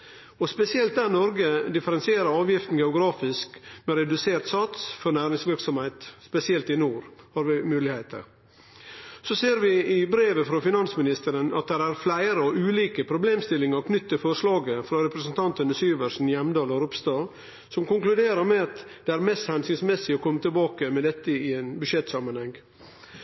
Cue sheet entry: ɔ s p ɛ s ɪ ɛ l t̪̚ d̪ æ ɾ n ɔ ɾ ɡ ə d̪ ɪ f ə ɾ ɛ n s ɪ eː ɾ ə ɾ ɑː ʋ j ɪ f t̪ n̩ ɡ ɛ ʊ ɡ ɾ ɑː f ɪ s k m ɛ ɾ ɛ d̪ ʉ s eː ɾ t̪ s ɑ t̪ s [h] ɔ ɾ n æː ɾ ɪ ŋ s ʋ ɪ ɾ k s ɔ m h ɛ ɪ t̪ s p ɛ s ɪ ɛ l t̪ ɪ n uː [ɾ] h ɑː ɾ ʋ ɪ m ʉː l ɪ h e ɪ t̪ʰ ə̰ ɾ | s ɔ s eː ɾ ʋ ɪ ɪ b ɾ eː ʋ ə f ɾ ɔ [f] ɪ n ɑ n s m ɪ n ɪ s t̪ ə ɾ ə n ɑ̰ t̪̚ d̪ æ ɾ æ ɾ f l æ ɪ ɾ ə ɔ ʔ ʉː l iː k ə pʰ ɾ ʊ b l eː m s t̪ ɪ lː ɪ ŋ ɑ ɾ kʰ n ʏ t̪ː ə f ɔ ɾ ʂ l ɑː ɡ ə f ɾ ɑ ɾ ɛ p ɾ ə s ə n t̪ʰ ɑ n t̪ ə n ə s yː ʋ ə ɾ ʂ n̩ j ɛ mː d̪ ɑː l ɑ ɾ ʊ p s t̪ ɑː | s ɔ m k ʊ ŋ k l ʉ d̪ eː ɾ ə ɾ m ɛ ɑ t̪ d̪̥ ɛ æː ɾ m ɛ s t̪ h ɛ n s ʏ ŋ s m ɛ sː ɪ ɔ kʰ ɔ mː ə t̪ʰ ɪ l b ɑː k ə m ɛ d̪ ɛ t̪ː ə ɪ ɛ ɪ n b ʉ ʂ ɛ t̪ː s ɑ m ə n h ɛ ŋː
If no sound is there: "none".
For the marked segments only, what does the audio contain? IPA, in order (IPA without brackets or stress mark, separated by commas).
f, ɾ, f